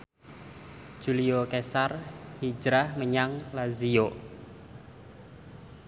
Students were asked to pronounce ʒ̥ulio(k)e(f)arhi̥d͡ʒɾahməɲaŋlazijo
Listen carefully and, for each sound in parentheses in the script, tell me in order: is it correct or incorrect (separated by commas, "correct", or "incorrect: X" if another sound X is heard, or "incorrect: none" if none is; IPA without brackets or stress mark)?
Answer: correct, incorrect: s